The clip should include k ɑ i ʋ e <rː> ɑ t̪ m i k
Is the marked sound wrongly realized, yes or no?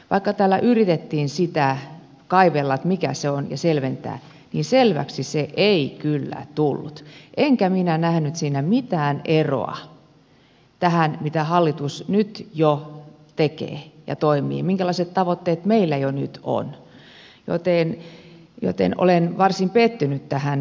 yes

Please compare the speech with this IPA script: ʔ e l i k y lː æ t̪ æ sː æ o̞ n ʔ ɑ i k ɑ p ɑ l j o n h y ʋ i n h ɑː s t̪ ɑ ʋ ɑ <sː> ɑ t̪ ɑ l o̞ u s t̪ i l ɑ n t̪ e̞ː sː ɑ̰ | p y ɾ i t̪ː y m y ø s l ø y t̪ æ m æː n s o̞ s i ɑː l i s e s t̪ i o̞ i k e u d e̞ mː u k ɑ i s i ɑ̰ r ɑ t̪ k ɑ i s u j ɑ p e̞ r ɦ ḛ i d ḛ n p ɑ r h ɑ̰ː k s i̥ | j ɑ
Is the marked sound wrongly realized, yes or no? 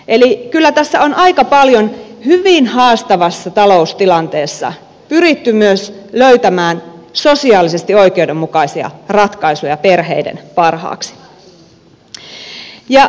no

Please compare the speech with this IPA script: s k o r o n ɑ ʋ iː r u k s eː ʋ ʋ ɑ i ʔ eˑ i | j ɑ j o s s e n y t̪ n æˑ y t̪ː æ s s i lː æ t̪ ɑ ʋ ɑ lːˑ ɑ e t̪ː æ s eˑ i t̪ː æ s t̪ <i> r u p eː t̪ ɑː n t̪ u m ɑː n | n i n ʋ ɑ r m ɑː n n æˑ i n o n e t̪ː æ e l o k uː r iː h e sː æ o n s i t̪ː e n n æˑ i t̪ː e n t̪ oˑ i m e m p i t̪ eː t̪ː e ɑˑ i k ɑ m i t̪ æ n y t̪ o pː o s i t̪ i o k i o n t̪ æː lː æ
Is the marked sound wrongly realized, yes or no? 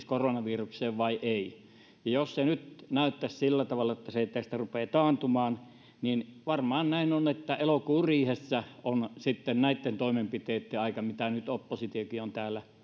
yes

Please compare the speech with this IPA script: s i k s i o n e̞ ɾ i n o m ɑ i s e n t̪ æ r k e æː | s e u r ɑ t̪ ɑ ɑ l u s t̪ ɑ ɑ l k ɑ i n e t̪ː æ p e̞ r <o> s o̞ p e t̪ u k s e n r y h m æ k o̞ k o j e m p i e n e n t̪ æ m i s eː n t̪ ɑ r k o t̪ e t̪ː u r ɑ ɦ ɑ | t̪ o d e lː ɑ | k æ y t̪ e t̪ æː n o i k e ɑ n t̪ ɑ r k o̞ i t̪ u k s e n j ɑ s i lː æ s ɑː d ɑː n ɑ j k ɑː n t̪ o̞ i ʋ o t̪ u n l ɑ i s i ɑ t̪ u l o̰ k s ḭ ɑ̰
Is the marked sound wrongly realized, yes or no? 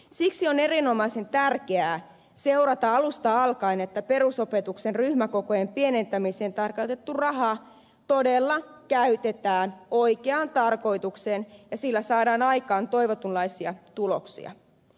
yes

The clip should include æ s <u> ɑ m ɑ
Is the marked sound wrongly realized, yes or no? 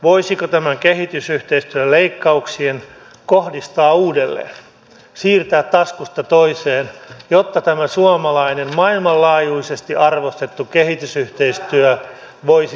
no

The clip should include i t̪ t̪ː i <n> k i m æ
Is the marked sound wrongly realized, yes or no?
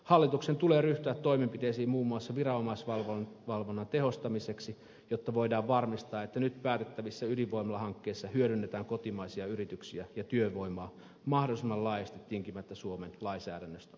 yes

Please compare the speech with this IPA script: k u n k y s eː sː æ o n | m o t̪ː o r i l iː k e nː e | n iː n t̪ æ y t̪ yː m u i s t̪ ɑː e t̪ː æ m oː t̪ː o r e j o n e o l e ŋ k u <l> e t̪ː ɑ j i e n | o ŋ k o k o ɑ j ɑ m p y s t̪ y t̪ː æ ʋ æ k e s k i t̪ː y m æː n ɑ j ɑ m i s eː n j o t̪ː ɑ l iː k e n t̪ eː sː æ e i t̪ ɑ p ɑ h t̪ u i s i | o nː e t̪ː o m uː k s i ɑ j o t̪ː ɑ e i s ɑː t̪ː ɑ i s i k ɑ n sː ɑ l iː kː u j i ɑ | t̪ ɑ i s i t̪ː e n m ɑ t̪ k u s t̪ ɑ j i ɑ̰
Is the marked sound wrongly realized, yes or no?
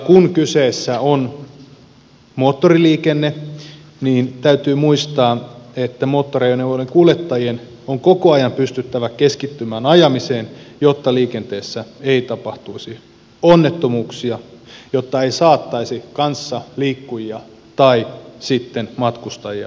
no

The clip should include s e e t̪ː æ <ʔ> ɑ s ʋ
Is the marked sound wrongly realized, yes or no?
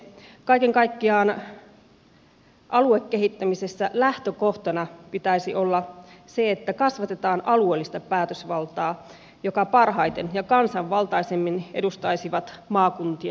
yes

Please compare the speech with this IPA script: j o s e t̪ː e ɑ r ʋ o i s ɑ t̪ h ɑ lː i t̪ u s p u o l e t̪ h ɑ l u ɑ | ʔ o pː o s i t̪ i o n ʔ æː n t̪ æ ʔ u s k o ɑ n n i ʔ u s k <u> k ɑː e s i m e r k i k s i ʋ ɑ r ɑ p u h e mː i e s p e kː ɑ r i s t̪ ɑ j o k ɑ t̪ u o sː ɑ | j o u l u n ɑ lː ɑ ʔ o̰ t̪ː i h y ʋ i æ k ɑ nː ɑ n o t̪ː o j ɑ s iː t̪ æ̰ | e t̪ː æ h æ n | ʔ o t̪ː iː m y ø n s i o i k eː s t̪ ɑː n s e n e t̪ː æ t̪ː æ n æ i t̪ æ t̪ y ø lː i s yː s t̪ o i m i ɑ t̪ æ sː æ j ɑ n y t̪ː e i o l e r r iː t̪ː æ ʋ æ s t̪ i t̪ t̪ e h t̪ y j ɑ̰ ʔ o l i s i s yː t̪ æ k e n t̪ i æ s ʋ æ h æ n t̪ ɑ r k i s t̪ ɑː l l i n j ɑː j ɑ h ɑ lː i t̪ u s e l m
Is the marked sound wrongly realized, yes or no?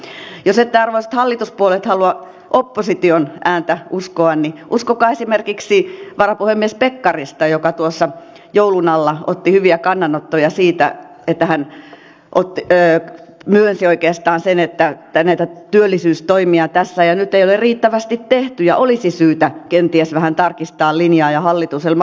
yes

